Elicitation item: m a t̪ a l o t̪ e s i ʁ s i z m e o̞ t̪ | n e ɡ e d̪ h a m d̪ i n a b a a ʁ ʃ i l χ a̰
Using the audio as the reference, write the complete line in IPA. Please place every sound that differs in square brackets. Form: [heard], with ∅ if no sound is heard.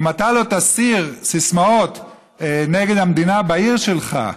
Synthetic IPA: m a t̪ a l o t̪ [a] s i ʁ s i [s] m [a] o̞ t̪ | n e ɡ e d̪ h a m d̪ i n a b a [i] ʁ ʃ [e] l χ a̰